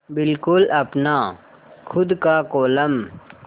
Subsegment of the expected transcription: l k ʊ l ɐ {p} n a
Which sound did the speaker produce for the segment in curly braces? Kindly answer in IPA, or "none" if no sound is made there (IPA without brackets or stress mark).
p